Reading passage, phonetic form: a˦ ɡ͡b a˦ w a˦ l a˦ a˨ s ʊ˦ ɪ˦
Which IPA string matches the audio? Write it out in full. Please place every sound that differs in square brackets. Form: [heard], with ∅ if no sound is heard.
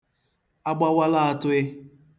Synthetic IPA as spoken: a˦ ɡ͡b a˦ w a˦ l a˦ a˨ [t] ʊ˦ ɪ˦